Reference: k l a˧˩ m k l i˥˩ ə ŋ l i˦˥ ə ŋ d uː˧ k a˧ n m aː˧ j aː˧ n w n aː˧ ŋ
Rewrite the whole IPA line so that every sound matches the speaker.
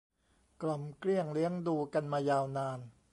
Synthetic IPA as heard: k l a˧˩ m k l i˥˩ ə ŋ l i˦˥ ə ŋ d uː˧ k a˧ n m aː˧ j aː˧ w n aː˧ n